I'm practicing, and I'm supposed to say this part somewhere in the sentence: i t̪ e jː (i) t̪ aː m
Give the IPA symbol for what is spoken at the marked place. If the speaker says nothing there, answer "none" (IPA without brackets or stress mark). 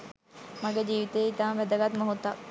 i